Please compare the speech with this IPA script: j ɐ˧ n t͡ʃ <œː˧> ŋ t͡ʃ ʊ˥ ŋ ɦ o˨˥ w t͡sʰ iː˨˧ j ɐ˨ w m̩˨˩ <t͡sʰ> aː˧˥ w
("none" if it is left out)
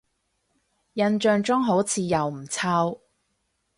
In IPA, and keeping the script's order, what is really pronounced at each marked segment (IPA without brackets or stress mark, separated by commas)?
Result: œː˧, t͡sʰ